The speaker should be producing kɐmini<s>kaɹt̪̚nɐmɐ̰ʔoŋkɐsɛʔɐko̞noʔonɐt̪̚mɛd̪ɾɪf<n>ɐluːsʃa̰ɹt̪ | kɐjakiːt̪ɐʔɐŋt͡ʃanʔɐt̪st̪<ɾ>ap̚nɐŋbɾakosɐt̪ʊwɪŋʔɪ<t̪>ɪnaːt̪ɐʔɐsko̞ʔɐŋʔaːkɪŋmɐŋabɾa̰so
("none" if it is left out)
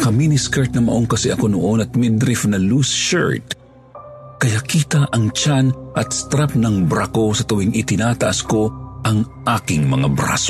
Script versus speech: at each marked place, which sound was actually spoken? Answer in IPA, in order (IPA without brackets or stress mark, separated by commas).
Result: s, n, ɾ, t̪